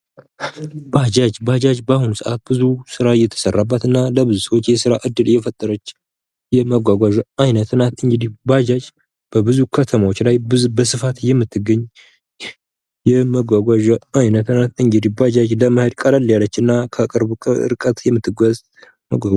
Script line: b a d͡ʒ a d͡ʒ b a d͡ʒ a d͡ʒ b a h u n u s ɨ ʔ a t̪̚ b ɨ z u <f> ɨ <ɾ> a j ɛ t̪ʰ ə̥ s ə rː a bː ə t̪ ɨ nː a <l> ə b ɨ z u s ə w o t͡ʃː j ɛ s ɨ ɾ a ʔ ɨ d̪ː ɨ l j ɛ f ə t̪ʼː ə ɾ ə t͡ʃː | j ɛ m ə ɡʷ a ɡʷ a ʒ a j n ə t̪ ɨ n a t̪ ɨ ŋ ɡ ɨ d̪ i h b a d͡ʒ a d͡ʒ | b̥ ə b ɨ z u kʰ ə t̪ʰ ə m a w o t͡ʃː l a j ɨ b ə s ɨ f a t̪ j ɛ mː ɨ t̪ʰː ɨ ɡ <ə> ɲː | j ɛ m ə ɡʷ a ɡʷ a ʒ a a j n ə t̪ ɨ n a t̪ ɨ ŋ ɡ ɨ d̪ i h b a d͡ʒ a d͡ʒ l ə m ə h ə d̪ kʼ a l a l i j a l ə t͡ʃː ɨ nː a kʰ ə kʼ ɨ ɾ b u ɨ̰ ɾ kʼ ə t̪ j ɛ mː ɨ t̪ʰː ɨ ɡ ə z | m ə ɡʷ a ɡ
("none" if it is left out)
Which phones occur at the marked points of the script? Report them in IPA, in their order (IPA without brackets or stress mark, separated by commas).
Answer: s, ɾ, l, ə